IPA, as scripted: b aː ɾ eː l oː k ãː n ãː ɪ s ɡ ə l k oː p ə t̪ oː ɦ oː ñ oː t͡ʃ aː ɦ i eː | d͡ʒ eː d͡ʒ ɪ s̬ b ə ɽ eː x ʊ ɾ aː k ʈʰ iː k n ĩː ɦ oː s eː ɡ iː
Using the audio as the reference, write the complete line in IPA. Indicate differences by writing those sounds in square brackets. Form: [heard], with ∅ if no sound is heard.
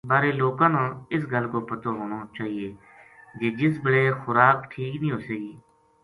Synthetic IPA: b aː ɾ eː l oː k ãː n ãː ɪ s ɡ ə l k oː p ə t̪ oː ɦ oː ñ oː t͡ʃ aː ɦ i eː | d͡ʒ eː d͡ʒ ɪ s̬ b ə ɽ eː x ʊ ɾ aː k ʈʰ iː k n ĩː ɦ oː s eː ɡ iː